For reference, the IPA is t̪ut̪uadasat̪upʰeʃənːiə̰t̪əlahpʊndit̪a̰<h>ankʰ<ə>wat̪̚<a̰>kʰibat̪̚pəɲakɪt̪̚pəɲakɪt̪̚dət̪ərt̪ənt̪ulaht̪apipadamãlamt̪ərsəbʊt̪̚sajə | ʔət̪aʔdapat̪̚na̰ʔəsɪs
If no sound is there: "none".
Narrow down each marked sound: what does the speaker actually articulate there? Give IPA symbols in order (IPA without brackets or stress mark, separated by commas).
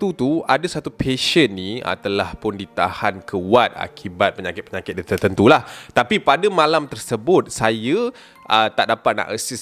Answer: h, ə, a̰